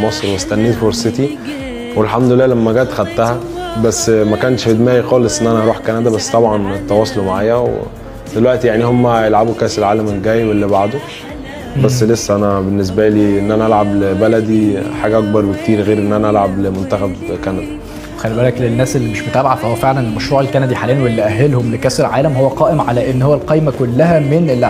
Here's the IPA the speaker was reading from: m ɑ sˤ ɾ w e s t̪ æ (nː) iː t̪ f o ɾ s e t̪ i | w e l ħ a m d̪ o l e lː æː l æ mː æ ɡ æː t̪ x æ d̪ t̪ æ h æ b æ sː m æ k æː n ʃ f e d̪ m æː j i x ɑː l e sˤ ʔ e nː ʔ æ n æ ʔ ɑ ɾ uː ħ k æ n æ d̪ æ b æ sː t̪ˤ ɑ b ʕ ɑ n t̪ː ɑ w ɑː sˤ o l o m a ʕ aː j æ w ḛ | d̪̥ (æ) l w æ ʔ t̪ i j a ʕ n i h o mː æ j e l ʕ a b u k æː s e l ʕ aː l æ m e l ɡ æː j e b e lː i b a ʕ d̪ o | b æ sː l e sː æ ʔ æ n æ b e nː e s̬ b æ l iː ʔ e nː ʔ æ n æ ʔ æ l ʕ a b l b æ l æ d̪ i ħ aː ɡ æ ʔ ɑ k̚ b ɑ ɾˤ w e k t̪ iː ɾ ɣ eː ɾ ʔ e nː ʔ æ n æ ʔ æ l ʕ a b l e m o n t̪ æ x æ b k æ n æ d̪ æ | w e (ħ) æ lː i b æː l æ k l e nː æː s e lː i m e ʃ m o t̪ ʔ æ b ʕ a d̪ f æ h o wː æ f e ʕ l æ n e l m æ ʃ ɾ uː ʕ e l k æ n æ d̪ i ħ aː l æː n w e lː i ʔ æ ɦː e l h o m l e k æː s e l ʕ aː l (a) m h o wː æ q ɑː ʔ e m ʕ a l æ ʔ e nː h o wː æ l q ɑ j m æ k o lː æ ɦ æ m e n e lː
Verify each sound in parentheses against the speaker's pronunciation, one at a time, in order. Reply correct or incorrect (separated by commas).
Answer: correct, incorrect, incorrect, incorrect